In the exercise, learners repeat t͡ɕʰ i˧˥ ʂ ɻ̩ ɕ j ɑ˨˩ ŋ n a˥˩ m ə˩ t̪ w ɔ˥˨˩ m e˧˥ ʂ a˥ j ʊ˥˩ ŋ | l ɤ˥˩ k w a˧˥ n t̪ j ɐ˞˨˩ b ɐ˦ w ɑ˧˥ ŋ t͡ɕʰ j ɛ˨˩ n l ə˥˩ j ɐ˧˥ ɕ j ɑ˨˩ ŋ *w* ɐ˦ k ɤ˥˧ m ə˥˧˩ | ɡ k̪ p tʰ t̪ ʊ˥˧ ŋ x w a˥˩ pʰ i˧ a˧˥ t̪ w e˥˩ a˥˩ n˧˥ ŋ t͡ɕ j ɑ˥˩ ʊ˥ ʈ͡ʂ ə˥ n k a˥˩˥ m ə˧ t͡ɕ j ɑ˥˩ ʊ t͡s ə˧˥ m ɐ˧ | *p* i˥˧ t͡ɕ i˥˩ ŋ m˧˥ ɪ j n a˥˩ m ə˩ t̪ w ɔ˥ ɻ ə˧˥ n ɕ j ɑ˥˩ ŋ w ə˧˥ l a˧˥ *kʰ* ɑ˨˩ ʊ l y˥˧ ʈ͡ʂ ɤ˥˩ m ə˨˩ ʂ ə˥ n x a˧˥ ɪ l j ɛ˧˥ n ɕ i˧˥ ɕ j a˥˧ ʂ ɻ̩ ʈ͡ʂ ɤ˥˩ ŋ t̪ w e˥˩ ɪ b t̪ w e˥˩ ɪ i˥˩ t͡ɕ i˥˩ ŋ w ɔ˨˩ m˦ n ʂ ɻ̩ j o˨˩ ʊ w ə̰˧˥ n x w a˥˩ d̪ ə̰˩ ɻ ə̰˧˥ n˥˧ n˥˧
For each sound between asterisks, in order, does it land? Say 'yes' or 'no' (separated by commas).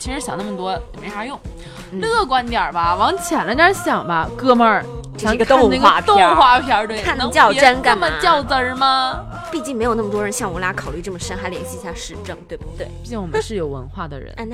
no, yes, yes